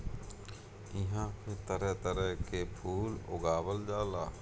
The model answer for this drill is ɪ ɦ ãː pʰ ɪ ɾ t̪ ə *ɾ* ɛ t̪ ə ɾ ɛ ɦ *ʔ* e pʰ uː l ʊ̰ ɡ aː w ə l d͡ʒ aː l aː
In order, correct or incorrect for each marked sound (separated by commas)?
correct, incorrect